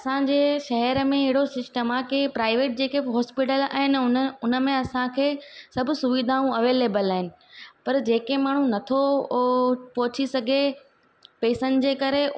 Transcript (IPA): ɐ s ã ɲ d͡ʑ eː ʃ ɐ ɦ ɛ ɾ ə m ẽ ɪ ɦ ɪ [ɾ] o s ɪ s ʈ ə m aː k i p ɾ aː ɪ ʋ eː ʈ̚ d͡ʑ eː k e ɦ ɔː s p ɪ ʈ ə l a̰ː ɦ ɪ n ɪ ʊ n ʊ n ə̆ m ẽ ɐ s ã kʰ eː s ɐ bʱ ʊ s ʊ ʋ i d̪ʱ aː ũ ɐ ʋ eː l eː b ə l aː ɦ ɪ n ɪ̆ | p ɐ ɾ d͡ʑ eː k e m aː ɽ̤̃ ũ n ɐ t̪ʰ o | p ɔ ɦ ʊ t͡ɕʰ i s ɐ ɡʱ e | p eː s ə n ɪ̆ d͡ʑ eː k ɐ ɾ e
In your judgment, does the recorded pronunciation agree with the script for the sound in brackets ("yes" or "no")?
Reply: no